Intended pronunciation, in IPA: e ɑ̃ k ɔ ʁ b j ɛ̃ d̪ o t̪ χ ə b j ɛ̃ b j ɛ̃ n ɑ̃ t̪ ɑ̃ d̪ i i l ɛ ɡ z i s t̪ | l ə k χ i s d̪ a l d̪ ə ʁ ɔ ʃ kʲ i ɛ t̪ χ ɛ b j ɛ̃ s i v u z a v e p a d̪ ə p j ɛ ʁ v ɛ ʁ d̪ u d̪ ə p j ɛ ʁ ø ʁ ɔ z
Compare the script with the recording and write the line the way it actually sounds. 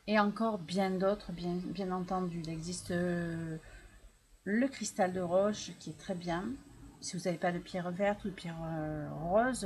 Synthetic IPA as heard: e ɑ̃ k ɔ ʁ b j ɛ̃ d̪ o t̪ χ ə b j ɛ̃ b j ɛ̃ n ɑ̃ t̪ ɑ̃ d̪ y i l ɛ ɡ z i s t̪ | l ə k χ i s t̪ a l d̪ ə ʁ ɔ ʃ kʲ i ɛ t̪ χ ɛ b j ɛ̃ s i v u z a v e p a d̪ ə p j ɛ ʁ v ɛ ʁ t̪ u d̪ ə p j ɛ ʁ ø ʁ ɔ z